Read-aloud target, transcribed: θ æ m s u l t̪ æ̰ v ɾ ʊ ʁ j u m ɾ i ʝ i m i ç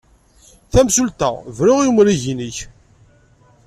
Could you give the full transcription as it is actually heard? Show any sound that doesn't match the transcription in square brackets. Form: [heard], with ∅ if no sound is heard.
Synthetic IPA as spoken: θ æ m s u l t̪ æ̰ v ɾ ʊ ʁ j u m ɾ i ʝ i [n] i ç